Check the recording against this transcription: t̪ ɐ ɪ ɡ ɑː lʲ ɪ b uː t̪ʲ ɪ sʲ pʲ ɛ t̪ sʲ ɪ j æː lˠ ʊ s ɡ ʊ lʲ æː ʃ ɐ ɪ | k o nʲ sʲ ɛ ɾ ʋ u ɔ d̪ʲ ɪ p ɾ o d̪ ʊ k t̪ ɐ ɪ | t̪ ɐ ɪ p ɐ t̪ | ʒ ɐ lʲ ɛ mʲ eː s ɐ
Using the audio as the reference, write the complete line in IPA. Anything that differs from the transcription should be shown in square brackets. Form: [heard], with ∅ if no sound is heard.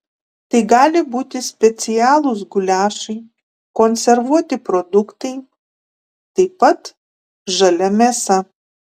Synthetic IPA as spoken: t̪ ɐ ɪ ɡ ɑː lʲ ɪ b uː t̪ʲ ɪ sʲ pʲ ɛ t̪ sʲ ɪ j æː lˠ ʊ s ɡ ʊ lʲ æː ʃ ɐ ɪ | k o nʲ sʲ ɛ ɾ ʋ u ɔ [t̪ʲ] ɪ p ɾ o d̪ ʊ k t̪ ɐ ɪ | t̪ ɐ ɪ p ɐ t̪ | ʒ ɐ lʲ ɛ mʲ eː s ɐ